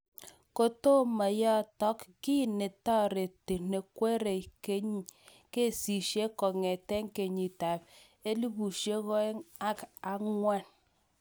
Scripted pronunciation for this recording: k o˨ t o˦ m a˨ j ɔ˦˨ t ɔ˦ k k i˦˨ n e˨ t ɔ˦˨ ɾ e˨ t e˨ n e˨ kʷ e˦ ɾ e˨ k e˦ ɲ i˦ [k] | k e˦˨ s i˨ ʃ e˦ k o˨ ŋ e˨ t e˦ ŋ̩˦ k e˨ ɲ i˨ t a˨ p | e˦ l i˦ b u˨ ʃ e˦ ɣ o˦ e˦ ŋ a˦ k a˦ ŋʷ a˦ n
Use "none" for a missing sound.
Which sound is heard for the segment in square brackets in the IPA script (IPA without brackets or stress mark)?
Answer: none